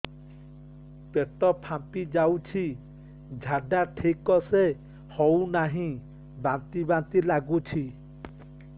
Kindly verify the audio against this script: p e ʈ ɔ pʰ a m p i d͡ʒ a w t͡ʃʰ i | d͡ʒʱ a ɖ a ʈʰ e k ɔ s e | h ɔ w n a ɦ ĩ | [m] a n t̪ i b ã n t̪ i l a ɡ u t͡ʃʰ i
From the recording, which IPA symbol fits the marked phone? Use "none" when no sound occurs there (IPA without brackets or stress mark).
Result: b